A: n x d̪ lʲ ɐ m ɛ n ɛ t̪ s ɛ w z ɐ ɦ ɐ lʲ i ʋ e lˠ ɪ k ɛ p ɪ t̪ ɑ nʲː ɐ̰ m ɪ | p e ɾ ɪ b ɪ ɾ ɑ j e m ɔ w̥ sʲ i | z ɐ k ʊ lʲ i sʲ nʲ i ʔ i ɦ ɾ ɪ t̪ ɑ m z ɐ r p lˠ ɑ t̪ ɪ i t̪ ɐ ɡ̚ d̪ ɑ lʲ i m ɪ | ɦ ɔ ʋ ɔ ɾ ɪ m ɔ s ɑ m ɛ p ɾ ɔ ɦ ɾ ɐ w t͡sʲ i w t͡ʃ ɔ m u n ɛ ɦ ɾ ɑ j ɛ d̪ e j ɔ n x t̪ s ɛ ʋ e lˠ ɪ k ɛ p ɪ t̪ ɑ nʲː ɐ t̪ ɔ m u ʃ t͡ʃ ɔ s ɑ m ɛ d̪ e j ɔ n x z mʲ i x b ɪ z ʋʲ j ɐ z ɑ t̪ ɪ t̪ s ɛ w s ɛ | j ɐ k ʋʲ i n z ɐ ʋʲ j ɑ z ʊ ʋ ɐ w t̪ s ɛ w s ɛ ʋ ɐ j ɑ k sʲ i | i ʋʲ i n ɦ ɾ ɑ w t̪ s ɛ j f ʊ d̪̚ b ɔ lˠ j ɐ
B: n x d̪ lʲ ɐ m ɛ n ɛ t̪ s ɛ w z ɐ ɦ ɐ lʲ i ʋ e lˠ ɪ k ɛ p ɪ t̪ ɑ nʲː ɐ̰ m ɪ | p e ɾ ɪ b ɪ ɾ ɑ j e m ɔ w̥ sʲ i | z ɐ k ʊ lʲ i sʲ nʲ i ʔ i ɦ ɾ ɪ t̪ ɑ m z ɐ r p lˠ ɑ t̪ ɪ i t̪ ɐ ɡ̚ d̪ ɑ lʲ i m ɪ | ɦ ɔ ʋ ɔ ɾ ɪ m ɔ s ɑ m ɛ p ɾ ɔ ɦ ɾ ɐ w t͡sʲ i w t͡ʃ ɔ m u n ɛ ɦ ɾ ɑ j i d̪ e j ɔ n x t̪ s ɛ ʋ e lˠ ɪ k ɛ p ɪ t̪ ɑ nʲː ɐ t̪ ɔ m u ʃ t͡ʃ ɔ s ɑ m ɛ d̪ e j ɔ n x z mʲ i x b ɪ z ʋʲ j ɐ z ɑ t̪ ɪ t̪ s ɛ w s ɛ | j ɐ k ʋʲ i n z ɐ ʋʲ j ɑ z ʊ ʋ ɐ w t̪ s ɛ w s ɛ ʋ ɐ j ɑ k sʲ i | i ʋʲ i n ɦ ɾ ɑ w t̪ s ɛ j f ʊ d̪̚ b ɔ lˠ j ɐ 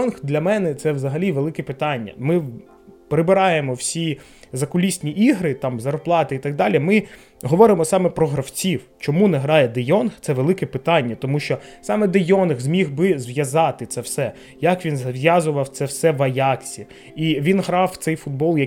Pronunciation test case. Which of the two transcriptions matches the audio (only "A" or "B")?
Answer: A